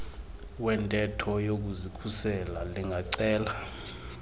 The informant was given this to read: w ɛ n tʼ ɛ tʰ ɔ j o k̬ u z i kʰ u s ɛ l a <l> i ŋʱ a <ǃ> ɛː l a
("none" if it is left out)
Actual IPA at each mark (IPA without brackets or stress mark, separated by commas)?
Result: l, ǀ